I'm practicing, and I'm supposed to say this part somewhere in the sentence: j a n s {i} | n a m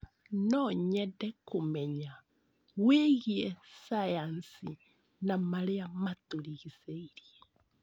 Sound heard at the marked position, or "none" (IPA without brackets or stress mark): i